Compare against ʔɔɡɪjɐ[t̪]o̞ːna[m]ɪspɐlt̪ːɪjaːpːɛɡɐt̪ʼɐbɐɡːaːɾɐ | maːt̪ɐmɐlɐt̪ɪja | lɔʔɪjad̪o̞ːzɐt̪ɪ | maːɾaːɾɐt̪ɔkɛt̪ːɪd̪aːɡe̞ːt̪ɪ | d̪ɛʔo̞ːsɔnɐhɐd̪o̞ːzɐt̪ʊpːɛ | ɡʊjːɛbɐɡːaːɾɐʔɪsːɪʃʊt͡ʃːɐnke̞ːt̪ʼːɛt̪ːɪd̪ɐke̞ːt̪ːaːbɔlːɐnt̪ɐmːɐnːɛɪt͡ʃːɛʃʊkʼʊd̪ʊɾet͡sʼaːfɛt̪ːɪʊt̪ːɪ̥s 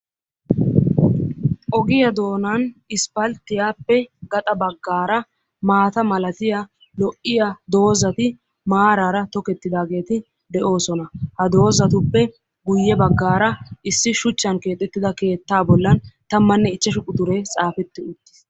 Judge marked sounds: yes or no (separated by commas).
no, no